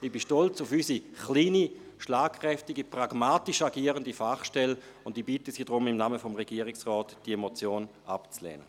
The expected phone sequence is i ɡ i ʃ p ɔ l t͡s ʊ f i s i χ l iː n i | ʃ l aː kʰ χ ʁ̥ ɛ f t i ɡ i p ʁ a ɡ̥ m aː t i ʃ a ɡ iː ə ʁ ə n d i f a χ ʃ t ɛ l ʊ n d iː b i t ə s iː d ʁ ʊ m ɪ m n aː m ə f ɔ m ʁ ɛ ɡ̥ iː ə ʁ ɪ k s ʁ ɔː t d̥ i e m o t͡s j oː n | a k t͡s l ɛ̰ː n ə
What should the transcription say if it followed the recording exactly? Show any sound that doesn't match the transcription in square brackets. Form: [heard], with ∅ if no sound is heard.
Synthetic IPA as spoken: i [b] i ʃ [t] ɔ l t͡s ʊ f [y] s i χ l iː n i | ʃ l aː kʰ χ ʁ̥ ɛ f t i ɡ i p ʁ a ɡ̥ m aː t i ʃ a ɡ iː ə ʁ ə n d i f a χ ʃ t ɛ l ʊ n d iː b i t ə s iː d ʁ ʊ m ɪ m n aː m ə f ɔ m ʁ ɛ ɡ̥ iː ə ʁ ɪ k s ʁ ɔː t d̥ i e m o t͡s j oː n | a [p] t͡s l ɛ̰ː n ə